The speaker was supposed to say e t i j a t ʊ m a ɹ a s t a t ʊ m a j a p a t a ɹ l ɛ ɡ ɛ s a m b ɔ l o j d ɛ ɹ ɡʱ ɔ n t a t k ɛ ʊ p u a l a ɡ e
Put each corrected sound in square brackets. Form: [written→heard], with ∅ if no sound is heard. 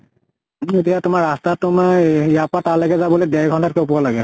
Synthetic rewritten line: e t i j a t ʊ m a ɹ a s t a t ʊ m a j a p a t a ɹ l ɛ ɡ ɛ [s→z] a [m→∅] b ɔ l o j d ɛ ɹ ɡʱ ɔ n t a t k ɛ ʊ p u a l a ɡ [e→ɛ]